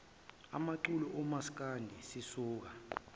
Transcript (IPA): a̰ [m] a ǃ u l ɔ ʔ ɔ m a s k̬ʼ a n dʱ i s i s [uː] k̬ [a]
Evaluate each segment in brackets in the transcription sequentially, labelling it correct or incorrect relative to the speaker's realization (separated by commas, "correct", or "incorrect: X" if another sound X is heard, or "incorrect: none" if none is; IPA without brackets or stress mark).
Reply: correct, correct, correct